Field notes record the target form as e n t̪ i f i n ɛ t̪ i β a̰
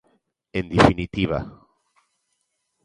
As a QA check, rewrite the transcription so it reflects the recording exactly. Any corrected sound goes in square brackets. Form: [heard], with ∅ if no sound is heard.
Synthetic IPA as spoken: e n [d̪] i f i n [i] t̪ i β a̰